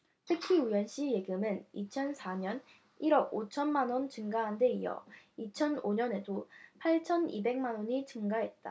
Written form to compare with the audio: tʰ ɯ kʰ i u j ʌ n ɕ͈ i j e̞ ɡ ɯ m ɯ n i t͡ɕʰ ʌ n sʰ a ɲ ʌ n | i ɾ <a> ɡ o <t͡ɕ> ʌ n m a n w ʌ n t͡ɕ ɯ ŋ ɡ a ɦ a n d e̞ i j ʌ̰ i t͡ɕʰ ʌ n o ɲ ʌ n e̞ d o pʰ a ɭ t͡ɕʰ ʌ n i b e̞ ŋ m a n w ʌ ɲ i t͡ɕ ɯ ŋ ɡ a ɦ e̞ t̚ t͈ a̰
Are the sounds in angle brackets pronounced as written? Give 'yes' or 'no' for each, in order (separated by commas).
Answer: no, no